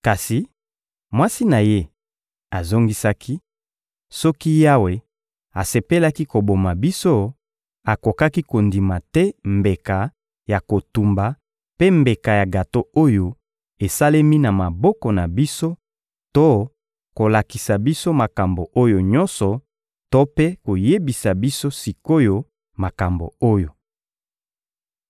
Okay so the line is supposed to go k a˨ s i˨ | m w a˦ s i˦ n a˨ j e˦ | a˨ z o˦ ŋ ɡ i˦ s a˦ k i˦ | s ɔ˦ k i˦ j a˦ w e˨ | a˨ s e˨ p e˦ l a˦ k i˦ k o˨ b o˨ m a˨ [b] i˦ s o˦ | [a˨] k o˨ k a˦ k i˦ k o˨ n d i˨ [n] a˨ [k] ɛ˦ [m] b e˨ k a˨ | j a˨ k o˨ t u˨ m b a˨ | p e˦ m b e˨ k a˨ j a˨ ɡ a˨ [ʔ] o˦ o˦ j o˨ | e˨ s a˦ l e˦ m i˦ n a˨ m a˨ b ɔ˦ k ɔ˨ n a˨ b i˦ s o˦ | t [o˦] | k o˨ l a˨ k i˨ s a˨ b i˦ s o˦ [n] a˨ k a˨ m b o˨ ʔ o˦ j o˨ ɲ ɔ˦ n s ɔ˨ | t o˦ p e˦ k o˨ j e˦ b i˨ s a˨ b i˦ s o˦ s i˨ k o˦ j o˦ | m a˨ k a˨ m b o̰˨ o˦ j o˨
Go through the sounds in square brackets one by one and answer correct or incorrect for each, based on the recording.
correct, correct, incorrect, incorrect, correct, incorrect, correct, incorrect

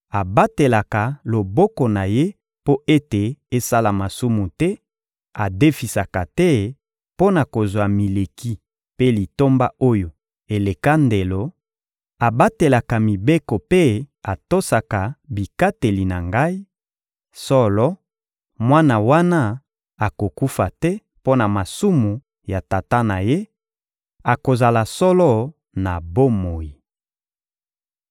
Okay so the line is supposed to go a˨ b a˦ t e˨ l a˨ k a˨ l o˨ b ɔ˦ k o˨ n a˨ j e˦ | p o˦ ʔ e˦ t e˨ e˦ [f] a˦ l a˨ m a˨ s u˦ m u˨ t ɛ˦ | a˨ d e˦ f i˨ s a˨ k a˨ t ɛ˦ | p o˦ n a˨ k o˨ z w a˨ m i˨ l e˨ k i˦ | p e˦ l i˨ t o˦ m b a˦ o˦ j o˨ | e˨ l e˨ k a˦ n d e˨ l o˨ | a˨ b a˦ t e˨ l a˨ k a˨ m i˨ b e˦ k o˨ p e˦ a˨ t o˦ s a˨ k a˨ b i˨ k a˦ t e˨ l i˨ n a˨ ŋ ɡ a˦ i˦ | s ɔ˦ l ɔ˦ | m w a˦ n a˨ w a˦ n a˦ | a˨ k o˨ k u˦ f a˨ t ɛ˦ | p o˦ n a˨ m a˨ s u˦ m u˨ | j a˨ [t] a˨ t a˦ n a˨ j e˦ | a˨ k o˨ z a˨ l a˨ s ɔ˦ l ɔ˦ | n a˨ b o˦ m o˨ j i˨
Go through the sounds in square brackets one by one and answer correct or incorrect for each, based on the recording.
incorrect, correct

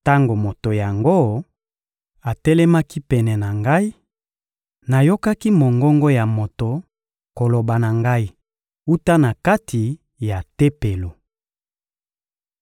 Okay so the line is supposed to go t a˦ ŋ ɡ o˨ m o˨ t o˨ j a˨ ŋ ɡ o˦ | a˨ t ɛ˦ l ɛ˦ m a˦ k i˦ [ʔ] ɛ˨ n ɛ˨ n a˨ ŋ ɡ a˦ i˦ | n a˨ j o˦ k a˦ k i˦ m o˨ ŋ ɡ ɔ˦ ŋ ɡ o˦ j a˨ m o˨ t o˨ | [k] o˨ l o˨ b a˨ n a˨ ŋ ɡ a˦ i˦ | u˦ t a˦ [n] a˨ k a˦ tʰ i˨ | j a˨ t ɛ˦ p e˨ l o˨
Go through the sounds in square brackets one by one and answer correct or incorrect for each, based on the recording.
incorrect, correct, correct

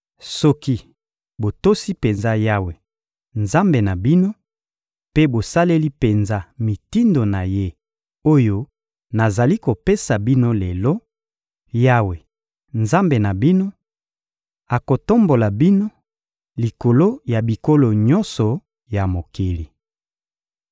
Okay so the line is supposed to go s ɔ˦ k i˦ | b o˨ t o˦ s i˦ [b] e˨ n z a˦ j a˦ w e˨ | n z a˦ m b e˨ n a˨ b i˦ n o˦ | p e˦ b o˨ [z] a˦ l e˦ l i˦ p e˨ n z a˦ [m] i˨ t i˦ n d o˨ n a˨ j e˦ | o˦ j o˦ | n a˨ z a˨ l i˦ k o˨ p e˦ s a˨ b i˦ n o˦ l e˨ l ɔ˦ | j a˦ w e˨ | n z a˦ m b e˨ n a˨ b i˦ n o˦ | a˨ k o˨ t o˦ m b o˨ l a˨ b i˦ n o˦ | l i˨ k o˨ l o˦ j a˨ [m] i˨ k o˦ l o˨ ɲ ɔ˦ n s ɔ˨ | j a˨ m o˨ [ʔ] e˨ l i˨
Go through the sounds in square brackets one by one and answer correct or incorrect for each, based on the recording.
incorrect, incorrect, correct, incorrect, incorrect

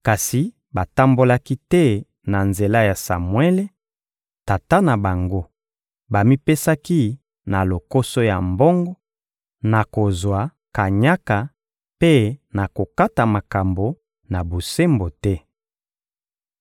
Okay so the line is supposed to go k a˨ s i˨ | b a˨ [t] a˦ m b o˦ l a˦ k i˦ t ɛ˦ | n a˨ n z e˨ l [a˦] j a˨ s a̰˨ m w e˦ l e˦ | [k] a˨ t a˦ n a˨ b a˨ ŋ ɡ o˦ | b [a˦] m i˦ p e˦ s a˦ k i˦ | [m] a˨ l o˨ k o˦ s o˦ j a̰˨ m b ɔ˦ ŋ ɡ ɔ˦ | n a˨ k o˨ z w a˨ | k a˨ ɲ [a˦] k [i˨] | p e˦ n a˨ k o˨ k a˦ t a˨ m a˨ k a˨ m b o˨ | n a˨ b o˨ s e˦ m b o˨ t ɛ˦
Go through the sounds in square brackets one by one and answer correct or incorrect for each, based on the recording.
correct, correct, incorrect, incorrect, incorrect, correct, incorrect

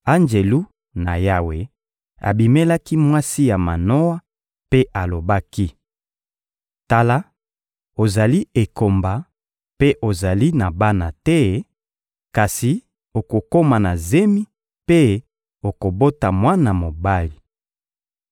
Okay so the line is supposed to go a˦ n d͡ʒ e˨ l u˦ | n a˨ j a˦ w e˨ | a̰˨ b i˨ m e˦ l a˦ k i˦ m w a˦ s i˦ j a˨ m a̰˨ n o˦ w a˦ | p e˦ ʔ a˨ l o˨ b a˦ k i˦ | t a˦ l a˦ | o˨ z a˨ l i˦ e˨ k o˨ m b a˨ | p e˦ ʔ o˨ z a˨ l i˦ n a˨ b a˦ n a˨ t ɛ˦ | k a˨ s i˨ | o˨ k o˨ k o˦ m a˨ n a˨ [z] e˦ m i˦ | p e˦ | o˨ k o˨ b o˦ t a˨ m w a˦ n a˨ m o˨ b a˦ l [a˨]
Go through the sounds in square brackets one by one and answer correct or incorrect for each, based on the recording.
correct, incorrect

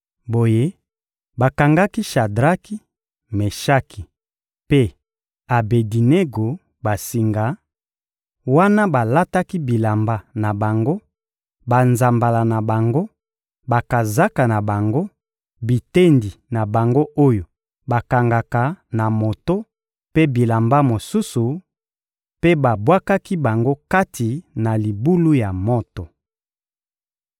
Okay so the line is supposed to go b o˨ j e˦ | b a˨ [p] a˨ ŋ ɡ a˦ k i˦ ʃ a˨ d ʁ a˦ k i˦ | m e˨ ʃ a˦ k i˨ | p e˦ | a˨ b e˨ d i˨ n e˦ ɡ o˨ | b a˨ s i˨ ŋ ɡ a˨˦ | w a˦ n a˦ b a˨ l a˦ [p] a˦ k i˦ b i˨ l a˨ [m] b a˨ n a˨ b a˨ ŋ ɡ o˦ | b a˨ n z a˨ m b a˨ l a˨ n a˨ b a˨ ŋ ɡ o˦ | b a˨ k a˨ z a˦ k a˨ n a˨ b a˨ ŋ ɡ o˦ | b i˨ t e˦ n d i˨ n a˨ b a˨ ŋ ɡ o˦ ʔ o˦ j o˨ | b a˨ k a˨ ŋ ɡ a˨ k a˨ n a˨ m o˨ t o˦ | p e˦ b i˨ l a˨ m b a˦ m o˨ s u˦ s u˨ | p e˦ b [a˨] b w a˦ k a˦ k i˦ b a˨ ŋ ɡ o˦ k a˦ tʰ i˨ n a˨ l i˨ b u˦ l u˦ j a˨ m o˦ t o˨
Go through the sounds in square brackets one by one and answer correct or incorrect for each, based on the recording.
incorrect, incorrect, correct, correct

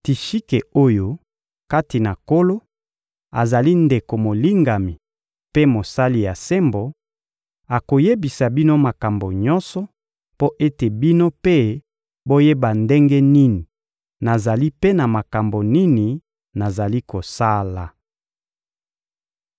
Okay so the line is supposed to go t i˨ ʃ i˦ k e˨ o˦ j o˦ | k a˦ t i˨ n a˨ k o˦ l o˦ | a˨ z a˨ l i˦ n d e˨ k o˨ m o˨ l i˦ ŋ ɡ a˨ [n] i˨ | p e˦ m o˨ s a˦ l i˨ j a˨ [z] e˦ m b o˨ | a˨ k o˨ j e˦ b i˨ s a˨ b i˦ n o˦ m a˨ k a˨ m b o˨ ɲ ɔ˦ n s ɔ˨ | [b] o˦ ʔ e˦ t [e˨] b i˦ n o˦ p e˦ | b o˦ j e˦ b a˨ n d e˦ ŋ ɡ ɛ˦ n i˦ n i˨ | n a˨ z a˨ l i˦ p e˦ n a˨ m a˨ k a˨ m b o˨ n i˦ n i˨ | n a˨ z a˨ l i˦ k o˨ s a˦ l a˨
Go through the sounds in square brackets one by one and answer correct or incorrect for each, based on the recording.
incorrect, incorrect, incorrect, correct

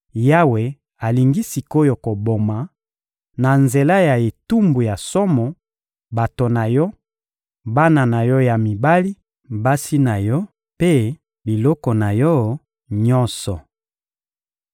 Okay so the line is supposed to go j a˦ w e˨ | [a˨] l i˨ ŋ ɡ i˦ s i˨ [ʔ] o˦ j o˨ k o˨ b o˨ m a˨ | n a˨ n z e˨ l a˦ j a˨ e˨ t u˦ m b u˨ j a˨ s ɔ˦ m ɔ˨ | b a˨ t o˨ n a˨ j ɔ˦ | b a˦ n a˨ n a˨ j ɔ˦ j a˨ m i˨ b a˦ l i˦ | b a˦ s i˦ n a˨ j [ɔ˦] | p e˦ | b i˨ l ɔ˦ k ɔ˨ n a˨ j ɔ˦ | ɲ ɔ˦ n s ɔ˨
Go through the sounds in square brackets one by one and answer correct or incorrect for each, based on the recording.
correct, incorrect, correct

